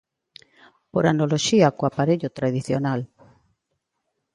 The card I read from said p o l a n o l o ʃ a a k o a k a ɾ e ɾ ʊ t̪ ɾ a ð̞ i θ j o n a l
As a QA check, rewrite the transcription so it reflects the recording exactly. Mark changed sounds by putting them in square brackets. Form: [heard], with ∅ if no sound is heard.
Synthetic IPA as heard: p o [ɾ] a n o l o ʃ [i] a k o a [p] a ɾ e [ʎ] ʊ t̪ ɾ a ð̞ i θ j o n a l